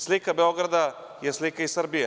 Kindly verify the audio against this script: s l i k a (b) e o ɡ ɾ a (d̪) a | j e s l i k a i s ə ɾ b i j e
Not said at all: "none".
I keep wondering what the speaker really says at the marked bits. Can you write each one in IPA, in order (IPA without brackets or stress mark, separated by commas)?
b, d̪